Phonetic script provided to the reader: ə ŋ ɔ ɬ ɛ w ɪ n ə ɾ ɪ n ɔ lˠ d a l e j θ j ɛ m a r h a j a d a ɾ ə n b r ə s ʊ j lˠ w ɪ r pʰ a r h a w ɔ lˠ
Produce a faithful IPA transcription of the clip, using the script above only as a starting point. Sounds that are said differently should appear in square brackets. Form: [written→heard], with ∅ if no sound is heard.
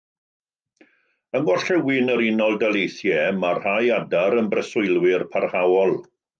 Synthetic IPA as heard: ə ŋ ɔ ɬ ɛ w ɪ n ə ɾ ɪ n ɔ lˠ d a l e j θ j ɛ m a r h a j a d a ɾ ə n b r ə s ʊ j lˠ w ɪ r pʰ a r h a w ɔ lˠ